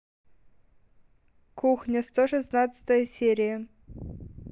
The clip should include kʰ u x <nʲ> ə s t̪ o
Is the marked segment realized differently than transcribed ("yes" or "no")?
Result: no